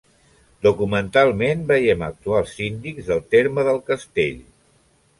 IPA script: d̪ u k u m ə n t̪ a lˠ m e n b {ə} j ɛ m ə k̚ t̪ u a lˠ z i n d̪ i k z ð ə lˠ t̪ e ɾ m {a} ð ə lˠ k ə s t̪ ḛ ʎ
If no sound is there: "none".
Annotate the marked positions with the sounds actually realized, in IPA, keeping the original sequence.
ə, ə

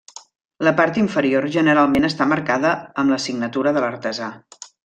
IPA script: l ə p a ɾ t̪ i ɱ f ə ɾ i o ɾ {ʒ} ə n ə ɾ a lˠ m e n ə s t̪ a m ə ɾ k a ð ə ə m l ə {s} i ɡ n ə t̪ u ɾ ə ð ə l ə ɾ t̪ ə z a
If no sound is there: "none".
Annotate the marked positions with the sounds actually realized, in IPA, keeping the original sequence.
ʒ, s

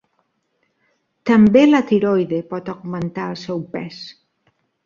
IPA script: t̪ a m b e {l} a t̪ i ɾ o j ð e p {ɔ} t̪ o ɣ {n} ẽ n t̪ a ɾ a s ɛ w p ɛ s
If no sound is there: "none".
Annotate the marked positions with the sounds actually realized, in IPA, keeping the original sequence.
l, ɔ, m

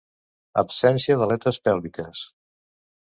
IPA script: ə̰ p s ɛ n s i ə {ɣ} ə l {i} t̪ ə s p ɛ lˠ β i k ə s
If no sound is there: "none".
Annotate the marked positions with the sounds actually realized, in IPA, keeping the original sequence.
ð, ɛ

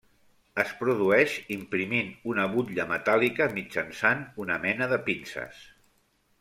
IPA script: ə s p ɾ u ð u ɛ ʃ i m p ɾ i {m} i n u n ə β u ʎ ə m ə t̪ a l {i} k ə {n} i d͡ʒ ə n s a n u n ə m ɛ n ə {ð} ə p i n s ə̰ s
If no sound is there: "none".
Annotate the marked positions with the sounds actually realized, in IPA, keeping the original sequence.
m, i, m, ð

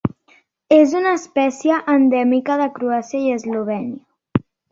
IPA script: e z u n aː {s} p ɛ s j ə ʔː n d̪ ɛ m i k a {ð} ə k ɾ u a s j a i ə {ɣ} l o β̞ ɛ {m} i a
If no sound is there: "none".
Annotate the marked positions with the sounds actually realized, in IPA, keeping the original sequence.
s, ð, z, n

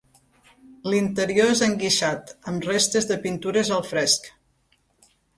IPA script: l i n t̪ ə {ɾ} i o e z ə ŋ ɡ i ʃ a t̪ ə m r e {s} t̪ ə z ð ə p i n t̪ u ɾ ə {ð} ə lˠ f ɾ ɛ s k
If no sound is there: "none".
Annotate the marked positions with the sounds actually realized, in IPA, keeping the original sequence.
ɾ, s, z

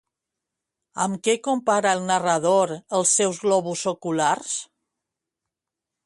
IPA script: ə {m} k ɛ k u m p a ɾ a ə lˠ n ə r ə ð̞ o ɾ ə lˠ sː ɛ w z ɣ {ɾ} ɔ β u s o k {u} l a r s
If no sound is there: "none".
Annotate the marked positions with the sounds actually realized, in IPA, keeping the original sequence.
m, l, u

